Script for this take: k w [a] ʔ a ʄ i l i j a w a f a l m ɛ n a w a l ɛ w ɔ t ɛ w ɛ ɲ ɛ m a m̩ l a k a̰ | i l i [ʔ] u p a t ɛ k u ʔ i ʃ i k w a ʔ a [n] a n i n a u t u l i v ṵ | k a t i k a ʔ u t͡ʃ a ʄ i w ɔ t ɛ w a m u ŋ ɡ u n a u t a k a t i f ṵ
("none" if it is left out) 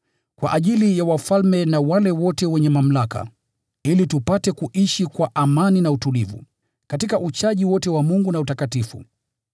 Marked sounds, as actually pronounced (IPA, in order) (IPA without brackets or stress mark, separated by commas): a, t, m